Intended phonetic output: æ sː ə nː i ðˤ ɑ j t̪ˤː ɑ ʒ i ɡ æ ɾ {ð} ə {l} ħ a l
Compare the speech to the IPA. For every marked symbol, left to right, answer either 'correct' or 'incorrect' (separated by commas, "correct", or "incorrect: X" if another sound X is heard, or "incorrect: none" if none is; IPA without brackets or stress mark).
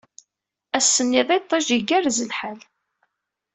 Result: incorrect: z, correct